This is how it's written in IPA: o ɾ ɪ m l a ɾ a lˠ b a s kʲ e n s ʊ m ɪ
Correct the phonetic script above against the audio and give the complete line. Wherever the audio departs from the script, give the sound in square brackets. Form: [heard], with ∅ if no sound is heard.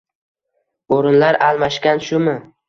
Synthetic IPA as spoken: o ɾ ɪ [n] l a ɾ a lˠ [m] a [ʃ] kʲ [a] n [ʃ] ʊ m ɪ